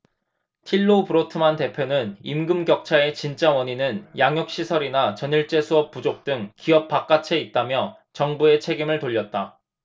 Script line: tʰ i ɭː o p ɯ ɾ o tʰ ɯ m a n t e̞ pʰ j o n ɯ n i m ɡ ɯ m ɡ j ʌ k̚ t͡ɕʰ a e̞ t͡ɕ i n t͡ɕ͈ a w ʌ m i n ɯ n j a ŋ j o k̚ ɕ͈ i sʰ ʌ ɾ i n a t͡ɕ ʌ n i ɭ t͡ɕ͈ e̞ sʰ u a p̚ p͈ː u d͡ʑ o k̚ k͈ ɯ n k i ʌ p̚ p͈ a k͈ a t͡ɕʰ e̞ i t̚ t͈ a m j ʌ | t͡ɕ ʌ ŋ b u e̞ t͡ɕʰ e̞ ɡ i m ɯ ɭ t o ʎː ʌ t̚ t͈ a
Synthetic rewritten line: tʰ i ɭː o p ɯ ɾ o tʰ ɯ m a n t e̞ pʰ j o n ɯ n i m ɡ ɯ m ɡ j ʌ k̚ t͡ɕʰ a e̞ t͡ɕ i n t͡ɕ͈ a w ʌ ɲ i n ɯ n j a ŋ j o k̚ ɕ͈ i sʰ ʌ ɾ i n a t͡ɕ ʌ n i ɭ t͡ɕ͈ e̞ sʰ u ʌ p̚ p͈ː u d͡ʑ o k̚ t͈ ɯ ŋ k i ʌ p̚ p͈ a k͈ a t͡ɕʰ e̞ i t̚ t͈ a m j ʌ | t͡ɕ ʌ ŋ b u e̞ t͡ɕʰ e̞ ɡ i m ɯ ɭ t o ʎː ʌ t̚ t͈ a